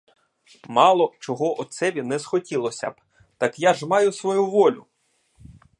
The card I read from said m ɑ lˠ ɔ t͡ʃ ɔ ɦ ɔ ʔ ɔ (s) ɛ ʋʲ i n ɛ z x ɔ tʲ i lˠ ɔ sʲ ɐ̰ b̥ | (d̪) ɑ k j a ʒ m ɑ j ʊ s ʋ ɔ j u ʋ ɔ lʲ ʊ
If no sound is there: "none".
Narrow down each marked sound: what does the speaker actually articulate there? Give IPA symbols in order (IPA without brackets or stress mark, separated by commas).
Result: s, t̪